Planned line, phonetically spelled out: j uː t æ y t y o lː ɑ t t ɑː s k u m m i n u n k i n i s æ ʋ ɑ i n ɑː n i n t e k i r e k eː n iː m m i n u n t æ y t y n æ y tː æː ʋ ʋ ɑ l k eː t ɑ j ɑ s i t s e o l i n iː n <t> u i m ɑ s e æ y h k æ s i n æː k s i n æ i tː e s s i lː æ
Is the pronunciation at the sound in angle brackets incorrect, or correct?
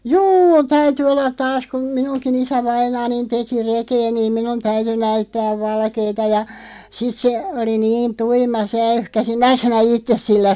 correct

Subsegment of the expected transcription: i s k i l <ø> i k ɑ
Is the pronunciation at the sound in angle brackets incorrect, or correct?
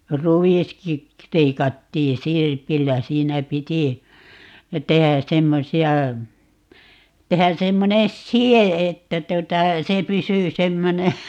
incorrect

